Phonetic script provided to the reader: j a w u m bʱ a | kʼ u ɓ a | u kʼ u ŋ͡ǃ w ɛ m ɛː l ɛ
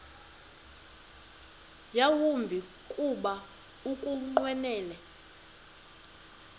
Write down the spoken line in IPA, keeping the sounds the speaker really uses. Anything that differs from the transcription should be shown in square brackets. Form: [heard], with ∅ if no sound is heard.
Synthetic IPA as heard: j a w u m bʱ [i] | kʼ u ɓ a | u kʼ u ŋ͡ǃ w ɛ [n] ɛː l ɛ